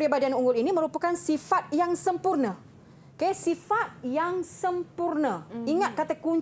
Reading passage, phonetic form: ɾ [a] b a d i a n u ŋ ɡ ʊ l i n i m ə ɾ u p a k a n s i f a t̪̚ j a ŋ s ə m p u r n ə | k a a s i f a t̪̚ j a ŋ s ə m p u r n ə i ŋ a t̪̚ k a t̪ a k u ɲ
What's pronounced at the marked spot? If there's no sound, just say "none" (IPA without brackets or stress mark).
i